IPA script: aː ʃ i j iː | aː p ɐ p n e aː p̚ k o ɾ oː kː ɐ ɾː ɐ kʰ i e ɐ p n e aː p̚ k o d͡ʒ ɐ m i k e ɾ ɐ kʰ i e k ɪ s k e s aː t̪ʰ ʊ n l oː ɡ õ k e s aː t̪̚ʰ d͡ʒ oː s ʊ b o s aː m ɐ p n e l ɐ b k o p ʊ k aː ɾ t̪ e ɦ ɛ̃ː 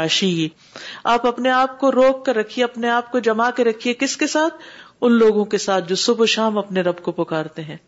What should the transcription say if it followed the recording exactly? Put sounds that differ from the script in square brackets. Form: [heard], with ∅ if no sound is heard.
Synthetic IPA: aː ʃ i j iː | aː p ɐ p n e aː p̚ k o ɾ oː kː ɐ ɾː ɐ kʰ i e ɐ p n e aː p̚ k o d͡ʒ ɐ m [a] k e ɾ ɐ kʰ i e k ɪ s k e s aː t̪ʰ ʊ n l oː ɡ õ k e s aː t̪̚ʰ d͡ʒ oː s ʊ b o [ʃ] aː m ɐ p n e [ɾ] ɐ b k o p ʊ k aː ɾ t̪ e ɦ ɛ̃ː